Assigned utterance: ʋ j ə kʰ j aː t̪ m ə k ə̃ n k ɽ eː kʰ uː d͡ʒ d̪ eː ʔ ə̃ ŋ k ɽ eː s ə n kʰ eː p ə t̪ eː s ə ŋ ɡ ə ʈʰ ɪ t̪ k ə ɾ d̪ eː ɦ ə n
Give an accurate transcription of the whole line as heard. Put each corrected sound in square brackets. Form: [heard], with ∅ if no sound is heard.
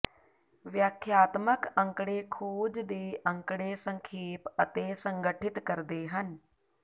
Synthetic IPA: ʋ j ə kʰ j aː t̪ m ə k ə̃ [ŋ] k ɽ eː kʰ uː d͡ʒ d̪ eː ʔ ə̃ ŋ k ɽ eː s ə [ŋ] kʰ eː p ə t̪ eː s ə ŋ ɡ ə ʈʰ ɪ t̪ k ə ɾ d̪ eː ɦ ə n